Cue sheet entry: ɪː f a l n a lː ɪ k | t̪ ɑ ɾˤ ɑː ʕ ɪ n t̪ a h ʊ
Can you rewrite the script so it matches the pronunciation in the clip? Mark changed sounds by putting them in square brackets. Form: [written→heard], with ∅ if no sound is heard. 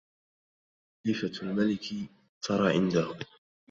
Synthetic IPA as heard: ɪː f a l [n→m] a [lː→l] ɪ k | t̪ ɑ ɾˤ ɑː ʕ ɪ n [t̪→d̪] a h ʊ